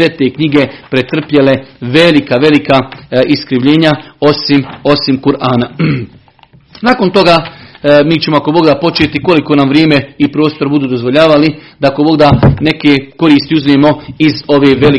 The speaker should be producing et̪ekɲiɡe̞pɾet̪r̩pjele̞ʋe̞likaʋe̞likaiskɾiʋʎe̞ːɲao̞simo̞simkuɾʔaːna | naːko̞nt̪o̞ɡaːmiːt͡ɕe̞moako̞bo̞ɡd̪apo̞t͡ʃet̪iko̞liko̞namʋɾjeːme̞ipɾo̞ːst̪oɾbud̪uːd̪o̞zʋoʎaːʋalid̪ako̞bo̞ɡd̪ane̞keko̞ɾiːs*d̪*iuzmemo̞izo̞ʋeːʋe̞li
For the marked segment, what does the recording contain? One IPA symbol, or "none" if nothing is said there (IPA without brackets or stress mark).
t̪